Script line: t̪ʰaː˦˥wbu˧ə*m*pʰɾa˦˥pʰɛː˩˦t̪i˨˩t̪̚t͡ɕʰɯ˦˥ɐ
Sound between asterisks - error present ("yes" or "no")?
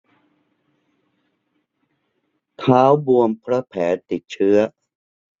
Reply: no